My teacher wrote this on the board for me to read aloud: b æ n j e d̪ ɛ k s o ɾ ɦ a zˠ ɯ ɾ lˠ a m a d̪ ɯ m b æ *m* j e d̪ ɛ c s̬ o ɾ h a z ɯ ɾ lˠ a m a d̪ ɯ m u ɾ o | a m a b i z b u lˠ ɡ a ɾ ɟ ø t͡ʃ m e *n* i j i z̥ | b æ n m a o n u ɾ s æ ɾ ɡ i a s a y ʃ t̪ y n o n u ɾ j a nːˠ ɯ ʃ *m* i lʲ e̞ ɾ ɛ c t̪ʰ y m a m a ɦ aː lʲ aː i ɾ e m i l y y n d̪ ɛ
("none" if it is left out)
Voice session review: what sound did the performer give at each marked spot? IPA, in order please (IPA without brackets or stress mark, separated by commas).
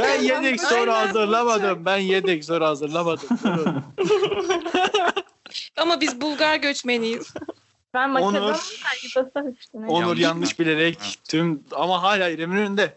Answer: n, n, b